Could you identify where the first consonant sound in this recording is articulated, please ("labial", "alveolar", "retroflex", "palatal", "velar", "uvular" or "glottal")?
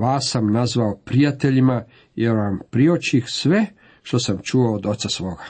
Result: labial